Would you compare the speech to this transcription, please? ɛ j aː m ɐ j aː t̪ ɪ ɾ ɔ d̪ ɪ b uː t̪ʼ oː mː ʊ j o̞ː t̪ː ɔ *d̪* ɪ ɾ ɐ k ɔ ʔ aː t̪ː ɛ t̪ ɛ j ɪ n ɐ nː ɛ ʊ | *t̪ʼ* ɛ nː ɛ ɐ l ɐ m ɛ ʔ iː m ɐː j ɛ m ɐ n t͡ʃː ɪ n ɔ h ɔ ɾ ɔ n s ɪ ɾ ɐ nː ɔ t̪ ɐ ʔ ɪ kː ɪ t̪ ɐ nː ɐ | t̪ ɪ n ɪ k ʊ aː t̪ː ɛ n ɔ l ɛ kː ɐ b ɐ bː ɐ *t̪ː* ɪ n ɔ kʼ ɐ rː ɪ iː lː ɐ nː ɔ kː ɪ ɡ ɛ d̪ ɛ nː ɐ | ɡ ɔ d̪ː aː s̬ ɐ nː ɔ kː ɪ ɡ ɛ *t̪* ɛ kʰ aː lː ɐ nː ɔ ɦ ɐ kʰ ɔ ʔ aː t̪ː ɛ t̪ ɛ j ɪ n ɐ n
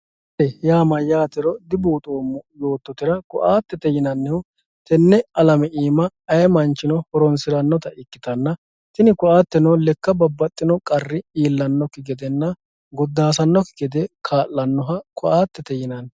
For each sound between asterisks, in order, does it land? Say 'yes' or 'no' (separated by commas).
no, no, no, no